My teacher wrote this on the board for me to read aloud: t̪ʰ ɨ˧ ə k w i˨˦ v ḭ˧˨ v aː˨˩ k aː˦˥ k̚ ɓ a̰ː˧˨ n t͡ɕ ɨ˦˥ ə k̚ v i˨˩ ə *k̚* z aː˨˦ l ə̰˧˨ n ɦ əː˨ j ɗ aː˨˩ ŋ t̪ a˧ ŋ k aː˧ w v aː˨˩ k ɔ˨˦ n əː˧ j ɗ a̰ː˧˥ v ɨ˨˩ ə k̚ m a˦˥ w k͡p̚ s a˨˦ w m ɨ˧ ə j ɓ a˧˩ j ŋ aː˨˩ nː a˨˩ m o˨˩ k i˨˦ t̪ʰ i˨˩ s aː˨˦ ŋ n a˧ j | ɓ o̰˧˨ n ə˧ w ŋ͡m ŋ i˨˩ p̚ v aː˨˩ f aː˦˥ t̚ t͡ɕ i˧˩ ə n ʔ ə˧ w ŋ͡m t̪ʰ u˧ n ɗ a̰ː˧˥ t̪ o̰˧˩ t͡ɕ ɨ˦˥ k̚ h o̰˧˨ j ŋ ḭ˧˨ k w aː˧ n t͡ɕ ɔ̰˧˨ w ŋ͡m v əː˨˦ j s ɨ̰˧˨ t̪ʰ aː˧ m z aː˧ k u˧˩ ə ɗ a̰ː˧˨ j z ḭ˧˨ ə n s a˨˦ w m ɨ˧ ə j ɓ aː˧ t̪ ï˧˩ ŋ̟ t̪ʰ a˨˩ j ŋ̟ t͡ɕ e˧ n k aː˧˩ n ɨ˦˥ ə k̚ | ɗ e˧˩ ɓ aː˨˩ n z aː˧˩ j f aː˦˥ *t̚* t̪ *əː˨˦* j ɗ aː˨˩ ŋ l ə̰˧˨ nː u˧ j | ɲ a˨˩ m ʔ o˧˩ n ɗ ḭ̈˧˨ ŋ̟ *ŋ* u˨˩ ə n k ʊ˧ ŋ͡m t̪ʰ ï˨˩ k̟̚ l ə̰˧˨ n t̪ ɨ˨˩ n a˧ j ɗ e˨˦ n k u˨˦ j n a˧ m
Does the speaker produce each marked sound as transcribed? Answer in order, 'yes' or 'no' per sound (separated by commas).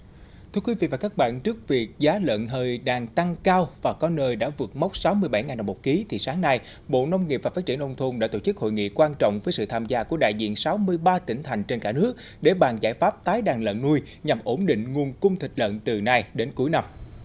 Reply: yes, no, no, yes